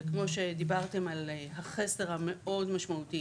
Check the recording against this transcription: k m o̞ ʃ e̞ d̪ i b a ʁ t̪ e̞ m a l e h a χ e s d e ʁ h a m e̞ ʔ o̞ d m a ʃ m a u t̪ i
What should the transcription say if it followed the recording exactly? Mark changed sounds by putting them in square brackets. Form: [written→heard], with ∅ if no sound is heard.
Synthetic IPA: k m o̞ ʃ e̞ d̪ i b a ʁ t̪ e̞ m a l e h a χ e s d e ʁ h a m e̞ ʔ o̞ d m a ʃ m a u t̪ i